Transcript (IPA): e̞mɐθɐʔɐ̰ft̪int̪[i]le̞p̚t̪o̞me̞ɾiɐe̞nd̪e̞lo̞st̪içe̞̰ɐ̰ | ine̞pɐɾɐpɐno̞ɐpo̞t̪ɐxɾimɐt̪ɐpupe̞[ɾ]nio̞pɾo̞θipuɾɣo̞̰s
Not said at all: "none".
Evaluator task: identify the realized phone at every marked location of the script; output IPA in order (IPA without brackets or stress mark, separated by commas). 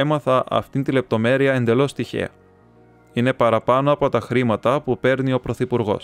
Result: i, ɾ